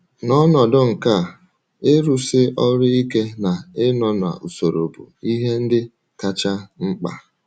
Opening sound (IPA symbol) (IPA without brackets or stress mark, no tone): n